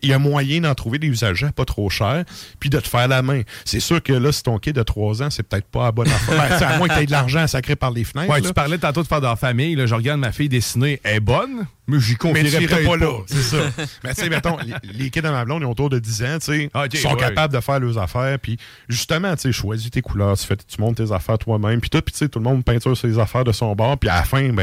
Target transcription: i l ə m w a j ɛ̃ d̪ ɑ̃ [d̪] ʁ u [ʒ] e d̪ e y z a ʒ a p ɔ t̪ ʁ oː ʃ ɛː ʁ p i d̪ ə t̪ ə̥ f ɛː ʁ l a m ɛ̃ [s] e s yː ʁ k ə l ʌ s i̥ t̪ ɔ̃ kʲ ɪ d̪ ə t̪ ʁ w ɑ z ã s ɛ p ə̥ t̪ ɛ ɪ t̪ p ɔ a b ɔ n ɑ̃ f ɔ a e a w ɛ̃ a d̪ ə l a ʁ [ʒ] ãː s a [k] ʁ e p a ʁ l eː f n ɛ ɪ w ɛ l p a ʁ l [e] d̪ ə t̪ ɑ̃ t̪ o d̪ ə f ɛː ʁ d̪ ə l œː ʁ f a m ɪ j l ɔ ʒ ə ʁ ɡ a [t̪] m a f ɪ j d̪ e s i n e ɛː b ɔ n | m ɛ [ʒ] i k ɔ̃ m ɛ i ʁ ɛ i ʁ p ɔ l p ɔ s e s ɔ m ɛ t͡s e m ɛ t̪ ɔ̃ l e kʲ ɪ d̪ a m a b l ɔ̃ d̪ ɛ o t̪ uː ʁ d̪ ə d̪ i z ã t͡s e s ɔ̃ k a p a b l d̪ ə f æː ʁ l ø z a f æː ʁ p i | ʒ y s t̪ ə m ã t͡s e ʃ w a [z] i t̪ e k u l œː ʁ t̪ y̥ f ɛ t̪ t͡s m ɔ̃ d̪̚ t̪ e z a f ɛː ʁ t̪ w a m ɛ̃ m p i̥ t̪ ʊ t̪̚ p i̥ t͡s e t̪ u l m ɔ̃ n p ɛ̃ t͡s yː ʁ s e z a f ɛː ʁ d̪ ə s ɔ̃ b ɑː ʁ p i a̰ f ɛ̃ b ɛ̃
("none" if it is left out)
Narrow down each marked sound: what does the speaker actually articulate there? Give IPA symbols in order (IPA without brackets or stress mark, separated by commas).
t̪, v, s, ʒ, k, ɛ, d̪, ʒ, z